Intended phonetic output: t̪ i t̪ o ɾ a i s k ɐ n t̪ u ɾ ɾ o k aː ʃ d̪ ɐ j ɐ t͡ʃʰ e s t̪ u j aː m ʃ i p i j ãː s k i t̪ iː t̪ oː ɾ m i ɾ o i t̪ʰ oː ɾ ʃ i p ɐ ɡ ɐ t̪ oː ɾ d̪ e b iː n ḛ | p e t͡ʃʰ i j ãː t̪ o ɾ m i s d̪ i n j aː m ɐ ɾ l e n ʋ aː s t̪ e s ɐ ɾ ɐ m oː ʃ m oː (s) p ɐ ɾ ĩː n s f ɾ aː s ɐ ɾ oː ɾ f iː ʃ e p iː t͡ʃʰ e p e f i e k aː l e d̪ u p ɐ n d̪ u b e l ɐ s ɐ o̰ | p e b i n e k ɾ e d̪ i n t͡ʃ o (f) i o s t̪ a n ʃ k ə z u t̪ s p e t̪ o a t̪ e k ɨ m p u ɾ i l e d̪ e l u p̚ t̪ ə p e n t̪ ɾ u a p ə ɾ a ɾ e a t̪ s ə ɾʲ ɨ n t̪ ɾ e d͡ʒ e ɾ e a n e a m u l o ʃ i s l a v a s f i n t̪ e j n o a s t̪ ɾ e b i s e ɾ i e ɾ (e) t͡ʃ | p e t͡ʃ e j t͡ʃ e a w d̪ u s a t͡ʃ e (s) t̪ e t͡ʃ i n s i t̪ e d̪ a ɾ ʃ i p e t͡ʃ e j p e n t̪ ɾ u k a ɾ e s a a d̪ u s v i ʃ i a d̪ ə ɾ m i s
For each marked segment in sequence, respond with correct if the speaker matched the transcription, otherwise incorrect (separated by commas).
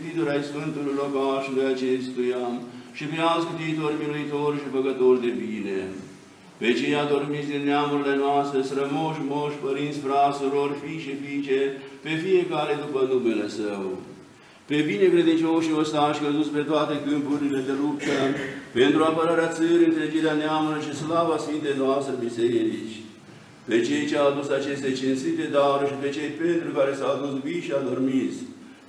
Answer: incorrect, incorrect, incorrect, correct